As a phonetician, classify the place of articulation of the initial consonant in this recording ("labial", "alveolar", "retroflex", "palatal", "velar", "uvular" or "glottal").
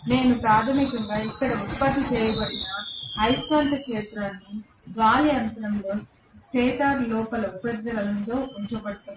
alveolar